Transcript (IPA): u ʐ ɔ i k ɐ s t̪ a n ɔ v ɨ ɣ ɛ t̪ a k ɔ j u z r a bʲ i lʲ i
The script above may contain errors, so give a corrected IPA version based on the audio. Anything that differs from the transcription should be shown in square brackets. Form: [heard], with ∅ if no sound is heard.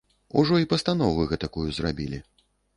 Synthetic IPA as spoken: u ʐ ɔ i [p] ɐ s t̪ a n ɔ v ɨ ɣ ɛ t̪ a k [u] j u z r a bʲ i lʲ i